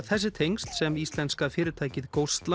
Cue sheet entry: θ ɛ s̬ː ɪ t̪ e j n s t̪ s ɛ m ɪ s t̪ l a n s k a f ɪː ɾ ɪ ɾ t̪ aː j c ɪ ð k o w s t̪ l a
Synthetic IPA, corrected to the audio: θ ɛ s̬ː ɪ t̪ʰ e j ŋ s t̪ s ɛ m i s t̪ l ɛ n s k a f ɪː ɾ ɪ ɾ t̪ʰ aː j c ɪ ð k o w s t̪ l a